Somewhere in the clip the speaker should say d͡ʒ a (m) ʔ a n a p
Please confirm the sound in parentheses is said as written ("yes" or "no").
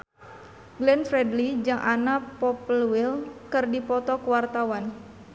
no